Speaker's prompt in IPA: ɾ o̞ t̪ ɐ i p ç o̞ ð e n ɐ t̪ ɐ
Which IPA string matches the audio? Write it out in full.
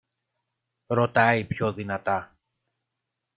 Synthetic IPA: ɾ o̞ t̪ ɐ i p ç o̞ ð i n ɐ t̪ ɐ

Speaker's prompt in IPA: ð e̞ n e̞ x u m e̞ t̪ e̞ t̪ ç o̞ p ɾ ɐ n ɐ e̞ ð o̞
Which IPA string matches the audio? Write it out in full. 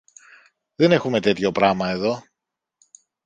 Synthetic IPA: ð e̞ n e̞ x u m e̞ t̪ e̞ t̪ ç o̞ p ɾ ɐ m ɐ e̞ ð o̞

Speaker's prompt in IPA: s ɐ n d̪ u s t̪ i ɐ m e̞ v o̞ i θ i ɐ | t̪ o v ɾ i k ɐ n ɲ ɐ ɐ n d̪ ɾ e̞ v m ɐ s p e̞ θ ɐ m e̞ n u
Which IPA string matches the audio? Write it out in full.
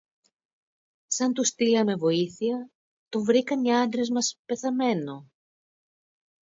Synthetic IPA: s ɐ n t̪ u s t̪ i ɐ m e̞ v o̞ i θ i ɐ | t̪ o v ɾ i k ɐ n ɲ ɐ ɐ n d̪ ɾ e̞ z m ɐ s p e̞ θ ɐ m e̞ n o

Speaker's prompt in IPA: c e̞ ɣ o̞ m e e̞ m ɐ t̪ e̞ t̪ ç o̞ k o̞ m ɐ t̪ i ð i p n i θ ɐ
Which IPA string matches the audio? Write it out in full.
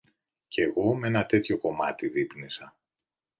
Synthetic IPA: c e̞ ɣ o̞ m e e̞ n ɐ t̪ e̞ t̪ ç o̞ k o̞ m ɐ t̪ i ð i p n i s ɐ

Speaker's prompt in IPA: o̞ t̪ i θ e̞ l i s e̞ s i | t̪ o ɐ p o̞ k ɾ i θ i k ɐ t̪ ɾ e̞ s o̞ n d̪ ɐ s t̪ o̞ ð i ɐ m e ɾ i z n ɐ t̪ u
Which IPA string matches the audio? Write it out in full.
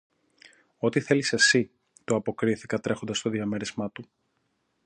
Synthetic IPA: o̞ t̪ i θ e̞ l i s e̞ s i | t̪ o ɐ p o̞ k ɾ i θ i k ɐ t̪ ɾ e̞ x o̞ n d̪ ɐ s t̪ o̞ ð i ɐ m e ɾ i z m ɐ t̪ u

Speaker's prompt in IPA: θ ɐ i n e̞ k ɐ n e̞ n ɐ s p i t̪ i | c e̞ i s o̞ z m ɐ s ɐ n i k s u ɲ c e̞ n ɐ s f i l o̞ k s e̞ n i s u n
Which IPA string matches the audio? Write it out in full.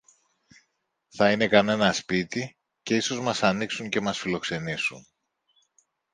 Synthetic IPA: θ ɐ i n e̞ k ɐ n e̞ n ɐ s p i t̪ i | c e̞ i s o̞ z m ɐ s ɐ n i k s u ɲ c e̞ m ɐ s f i l o̞ k s e̞ n i s u n

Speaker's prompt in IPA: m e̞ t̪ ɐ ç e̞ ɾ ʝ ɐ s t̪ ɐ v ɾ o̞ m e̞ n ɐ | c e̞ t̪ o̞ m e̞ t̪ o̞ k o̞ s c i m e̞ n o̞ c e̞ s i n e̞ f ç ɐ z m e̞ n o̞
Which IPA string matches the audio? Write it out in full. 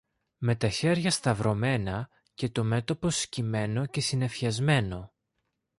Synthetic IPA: m e̞ t̪ ɐ ç e̞ ɾ ʝ ɐ s t̪ ɐ v ɾ o̞ m e̞ n ɐ | c e̞ t̪ o̞ m e̞ t̪ o̞ p o̞ s c i m e̞ n o̞ c e̞ s i n e̞ f ç ɐ z m e̞ n o̞

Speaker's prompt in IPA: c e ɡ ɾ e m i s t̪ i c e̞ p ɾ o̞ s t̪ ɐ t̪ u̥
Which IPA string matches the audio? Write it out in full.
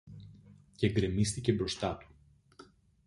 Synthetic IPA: c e ɡ ɾ e m i s t̪ i c e̞ b ɾ o̞ s t̪ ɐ t̪ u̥

